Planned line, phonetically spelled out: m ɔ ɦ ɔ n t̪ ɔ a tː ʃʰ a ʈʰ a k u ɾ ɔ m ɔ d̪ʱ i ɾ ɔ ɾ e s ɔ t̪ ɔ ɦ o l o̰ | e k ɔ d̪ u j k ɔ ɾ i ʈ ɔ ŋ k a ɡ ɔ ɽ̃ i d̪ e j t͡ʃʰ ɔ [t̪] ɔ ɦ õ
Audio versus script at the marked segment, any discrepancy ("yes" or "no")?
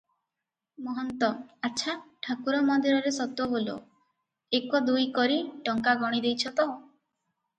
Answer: no